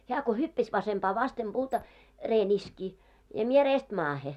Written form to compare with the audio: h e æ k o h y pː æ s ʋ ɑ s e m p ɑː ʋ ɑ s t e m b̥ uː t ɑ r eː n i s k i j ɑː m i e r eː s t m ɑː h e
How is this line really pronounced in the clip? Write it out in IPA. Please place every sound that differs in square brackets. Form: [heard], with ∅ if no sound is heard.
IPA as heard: h e æ k o h y pː æ s ʋ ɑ s e m p ɑː ʋ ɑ s t e m b̥ uː t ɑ r eː n i s k i j [ɑ] m i e r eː s t m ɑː h e